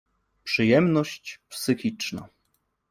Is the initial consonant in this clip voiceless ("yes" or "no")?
yes